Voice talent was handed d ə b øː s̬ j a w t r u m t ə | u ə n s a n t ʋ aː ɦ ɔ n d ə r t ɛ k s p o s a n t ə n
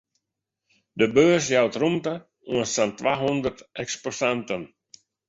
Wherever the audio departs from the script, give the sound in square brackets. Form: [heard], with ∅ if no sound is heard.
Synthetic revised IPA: d ə b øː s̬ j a w t r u m t ə | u ə n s a n t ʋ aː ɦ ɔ n d ə r t ɛ k s p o s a n t ə n